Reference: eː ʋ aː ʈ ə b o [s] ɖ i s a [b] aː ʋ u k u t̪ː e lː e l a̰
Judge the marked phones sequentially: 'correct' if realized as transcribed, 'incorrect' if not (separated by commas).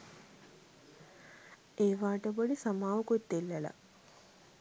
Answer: incorrect, incorrect